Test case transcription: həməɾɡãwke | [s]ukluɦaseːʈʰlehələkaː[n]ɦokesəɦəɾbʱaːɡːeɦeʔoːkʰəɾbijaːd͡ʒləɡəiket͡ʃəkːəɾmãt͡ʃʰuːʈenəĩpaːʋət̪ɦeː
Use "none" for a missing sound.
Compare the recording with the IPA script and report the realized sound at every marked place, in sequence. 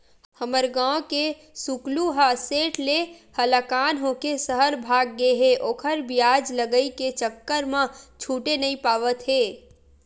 s, n

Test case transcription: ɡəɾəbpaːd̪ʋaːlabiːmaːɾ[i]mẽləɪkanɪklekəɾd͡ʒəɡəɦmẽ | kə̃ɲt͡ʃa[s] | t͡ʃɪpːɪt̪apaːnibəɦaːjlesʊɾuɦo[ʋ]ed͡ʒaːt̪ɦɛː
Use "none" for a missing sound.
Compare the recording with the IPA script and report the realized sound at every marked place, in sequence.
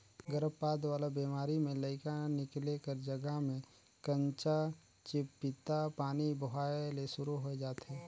i, none, none

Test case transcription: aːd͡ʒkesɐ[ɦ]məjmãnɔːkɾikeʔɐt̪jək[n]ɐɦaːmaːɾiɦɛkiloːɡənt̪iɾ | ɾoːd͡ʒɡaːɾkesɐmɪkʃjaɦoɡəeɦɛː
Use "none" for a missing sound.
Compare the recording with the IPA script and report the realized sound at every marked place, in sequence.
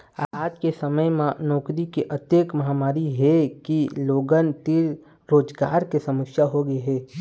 none, m

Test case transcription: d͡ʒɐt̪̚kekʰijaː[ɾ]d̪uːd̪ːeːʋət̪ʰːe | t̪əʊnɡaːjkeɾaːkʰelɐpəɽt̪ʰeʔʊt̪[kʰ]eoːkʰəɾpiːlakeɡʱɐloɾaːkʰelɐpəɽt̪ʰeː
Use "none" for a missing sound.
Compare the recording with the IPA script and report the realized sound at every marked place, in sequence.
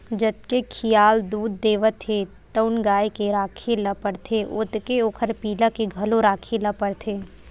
l, k

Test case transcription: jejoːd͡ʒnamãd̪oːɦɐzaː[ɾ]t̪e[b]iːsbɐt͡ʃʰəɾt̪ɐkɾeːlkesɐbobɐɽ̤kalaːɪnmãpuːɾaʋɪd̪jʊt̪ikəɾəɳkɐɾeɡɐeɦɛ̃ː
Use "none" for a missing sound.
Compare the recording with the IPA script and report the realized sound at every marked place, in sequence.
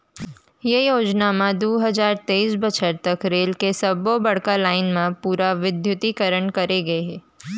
ɾ, none

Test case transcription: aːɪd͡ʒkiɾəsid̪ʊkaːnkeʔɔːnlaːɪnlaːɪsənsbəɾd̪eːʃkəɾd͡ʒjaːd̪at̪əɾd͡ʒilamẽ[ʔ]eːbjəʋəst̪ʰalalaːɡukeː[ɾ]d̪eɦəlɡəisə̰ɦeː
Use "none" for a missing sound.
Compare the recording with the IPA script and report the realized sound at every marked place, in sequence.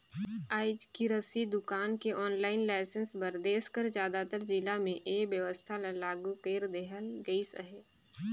ʔ, ɾ

